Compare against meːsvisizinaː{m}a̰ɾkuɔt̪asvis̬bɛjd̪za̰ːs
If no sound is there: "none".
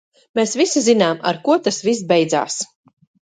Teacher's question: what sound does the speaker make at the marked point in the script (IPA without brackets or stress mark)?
m